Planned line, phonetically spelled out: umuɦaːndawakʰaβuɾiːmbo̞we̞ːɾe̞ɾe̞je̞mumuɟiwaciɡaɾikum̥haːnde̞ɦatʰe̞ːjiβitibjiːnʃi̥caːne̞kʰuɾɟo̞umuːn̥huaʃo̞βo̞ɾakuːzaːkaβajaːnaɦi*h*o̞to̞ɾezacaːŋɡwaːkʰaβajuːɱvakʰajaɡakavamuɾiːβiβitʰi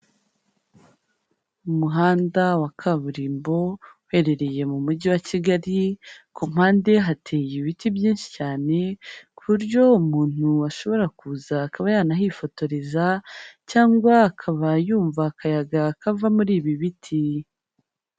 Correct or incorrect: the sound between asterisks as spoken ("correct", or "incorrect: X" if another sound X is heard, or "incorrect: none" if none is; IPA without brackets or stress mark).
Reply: incorrect: f